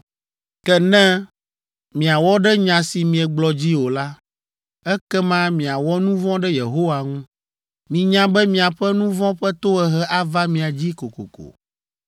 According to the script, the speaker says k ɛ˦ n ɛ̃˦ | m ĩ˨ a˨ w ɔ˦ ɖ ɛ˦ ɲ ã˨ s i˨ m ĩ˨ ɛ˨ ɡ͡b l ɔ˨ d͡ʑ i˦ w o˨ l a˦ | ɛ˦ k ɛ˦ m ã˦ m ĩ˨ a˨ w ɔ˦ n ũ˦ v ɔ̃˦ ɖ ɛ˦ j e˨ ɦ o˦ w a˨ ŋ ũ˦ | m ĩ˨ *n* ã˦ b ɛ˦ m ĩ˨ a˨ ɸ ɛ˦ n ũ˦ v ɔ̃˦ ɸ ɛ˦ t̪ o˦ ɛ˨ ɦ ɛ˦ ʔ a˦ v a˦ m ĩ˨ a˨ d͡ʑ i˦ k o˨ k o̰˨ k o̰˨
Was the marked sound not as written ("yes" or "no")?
yes